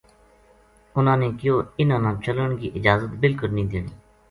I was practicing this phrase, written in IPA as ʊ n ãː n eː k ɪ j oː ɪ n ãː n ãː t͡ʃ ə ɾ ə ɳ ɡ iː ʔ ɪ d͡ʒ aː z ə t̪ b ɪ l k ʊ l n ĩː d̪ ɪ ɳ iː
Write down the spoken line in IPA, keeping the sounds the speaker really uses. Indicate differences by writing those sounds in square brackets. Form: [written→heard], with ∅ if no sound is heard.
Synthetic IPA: ʊ n ãː n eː k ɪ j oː ɪ n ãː n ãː t͡ʃ ə [ɾ→l] ə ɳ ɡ iː ʔ ɪ d͡ʒ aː z ə t̪ b ɪ l k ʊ l n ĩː d̪ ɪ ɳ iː